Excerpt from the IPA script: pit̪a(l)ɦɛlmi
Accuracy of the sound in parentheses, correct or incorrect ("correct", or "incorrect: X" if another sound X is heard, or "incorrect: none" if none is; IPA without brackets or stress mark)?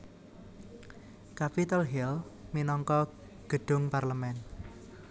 correct